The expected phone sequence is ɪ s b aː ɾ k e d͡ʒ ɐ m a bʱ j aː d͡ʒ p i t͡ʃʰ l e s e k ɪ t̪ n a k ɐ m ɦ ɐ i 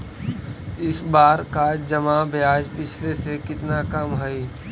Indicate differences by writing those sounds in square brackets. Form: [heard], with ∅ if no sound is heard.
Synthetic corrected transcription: ɪ s b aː ɾ k [a] d͡ʒ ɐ m a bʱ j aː d͡ʒ p [ɪ] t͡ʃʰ l e s e k ɪ t̪ n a k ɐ m ɦ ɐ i